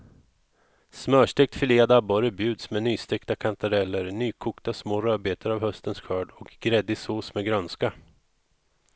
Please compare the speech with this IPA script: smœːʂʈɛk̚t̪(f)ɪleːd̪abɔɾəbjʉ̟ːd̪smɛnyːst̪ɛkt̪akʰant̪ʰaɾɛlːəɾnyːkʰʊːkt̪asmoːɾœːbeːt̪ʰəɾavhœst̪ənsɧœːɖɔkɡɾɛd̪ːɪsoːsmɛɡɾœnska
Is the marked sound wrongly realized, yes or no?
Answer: no